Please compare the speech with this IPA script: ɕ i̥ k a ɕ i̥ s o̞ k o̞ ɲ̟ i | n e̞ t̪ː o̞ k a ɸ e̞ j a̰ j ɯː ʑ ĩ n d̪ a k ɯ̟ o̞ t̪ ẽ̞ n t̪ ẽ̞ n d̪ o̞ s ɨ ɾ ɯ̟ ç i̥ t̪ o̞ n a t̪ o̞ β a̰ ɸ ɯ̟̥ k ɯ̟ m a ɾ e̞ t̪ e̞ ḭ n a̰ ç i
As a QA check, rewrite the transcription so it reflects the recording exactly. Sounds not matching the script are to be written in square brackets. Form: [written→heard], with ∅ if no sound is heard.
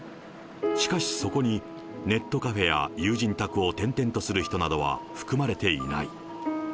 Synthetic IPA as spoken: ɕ i̥ k a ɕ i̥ s o̞ k o̞ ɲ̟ i | n e̞ t̪ː o̞ k a ɸ e̞ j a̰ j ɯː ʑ ĩ n [d̪→t̪] a k ɯ̟ o̞ t̪ ẽ̞ n t̪ ẽ̞ n [d̪→t̪] o̞ s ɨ ɾ ɯ̟ ç i̥ t̪ o̞ n a [t̪→d̪] o̞ β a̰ ɸ ɯ̟̥ k ɯ̟ m a ɾ e̞ t̪ e̞ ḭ n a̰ [ç→∅] i